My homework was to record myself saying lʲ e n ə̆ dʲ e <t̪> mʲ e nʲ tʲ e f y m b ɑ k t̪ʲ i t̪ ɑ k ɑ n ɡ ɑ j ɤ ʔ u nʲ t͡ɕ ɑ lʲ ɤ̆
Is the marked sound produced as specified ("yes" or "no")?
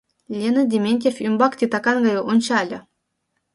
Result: no